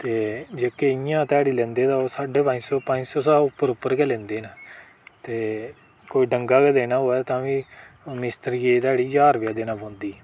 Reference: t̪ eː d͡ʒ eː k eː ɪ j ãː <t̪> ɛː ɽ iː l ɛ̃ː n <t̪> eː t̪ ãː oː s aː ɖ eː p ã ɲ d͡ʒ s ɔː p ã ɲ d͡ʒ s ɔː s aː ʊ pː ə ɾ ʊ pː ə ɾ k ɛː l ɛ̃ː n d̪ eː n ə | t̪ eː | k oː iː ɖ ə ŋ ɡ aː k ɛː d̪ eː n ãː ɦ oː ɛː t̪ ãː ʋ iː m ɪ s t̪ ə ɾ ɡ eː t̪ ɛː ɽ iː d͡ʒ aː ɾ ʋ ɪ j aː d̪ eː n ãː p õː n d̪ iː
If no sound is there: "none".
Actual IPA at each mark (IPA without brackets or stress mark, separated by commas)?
t̪, d̪